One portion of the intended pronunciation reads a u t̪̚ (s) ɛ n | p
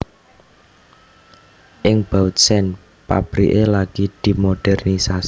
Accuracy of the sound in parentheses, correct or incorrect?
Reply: correct